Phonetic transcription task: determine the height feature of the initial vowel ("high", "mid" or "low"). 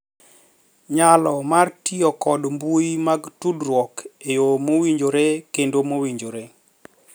low